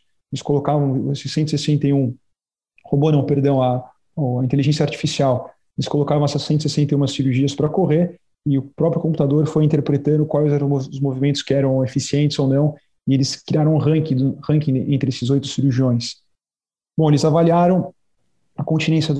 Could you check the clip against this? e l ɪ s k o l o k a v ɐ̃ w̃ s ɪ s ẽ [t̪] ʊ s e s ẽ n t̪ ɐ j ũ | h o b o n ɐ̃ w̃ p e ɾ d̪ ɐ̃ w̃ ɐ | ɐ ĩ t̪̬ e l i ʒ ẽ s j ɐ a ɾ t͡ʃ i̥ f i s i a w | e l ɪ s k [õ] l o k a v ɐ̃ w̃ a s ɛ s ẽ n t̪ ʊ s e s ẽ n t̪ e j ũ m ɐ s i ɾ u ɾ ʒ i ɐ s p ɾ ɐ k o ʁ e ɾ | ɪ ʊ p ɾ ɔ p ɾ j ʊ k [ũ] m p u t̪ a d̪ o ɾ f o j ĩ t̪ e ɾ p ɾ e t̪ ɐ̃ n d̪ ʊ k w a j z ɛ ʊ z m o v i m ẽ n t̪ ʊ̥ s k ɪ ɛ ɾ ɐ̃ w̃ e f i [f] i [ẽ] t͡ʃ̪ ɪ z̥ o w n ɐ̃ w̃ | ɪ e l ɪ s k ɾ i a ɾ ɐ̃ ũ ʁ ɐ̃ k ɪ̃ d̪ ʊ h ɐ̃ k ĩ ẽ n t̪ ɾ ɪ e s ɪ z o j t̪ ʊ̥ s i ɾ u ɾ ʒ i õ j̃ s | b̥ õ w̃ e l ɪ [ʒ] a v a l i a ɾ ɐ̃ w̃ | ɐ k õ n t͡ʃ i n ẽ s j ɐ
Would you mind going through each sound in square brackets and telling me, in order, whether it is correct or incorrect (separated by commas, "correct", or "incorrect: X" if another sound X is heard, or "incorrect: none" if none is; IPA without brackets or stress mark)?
correct, incorrect: o, incorrect: õ, incorrect: s, correct, incorrect: z